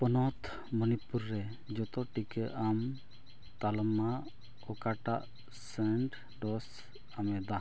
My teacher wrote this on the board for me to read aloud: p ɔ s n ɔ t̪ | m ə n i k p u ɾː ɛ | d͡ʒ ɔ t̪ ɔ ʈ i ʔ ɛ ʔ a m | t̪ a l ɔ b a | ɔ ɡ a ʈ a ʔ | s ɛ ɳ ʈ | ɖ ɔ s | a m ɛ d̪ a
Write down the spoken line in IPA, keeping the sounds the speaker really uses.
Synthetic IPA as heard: p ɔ n ɔ t̪ | m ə n i p u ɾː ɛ | d͡ʒ ɔ t̪ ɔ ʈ i k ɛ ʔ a m | t̪ a l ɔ m a | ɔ k a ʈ a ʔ | s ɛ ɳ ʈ | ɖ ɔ s | a m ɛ d̪ a